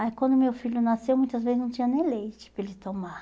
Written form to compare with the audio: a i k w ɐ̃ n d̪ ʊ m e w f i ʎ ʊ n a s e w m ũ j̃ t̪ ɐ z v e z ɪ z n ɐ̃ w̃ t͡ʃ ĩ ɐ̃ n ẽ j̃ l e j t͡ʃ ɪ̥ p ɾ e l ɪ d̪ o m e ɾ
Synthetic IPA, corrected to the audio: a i k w ɐ̃ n d̪ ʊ m e w f i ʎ ʊ n a s e w m ũ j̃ t̪ ɐ z v e z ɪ z n ɐ̃ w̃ t͡ʃ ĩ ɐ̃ n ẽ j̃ l e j t͡ʃ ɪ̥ p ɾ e l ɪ t̪ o m a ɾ